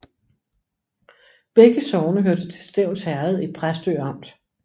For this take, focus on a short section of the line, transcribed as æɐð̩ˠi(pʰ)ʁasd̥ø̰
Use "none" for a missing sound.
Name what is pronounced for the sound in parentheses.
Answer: pʰ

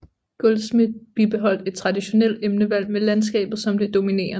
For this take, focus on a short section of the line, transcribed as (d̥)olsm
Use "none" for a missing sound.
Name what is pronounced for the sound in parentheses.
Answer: ɡ̥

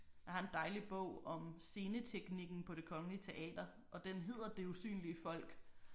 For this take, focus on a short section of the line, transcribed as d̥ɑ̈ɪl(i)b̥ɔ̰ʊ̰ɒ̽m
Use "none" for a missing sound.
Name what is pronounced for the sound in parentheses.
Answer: i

